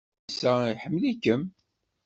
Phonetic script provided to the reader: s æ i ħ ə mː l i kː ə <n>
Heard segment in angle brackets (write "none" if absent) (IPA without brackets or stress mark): m